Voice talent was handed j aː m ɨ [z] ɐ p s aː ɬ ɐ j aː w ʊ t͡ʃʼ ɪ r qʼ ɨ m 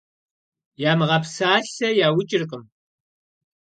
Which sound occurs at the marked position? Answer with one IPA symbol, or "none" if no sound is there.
ʁ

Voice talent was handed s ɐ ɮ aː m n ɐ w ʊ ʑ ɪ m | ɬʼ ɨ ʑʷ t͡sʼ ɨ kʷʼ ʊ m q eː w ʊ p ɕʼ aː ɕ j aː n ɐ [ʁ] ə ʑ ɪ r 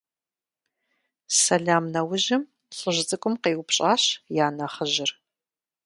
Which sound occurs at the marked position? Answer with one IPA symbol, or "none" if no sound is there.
χ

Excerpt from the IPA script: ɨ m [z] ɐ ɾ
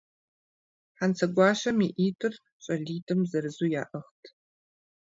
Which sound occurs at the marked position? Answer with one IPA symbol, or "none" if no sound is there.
z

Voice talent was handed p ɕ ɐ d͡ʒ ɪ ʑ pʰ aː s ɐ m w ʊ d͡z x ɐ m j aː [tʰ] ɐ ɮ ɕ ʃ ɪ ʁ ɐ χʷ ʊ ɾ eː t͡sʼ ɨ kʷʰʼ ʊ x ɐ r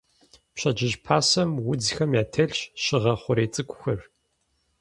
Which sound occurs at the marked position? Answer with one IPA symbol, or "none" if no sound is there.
tʰ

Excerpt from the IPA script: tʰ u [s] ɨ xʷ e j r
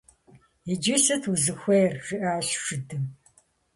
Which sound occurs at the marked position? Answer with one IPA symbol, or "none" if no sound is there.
z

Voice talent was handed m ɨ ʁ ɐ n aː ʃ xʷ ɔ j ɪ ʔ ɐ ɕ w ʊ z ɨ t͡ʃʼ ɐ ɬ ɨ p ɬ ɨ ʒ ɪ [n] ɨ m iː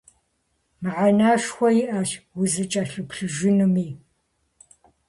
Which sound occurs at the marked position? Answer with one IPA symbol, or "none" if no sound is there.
n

